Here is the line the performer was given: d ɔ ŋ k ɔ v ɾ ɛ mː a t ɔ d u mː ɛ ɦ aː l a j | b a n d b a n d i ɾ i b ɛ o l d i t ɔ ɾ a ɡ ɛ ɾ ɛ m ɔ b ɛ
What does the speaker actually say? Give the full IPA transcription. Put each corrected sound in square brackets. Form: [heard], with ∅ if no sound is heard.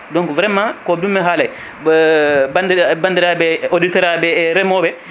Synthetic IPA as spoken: d ɔ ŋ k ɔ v ɾ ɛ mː a [k] ɔ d u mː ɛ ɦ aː l a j | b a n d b a n d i ɾ [a] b ɛ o [∅] d i t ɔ ɾ a [b] ɛ ɾ ɛ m ɔ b ɛ